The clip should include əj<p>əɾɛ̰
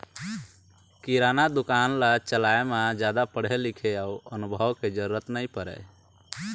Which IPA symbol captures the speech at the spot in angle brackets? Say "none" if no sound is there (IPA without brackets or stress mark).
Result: p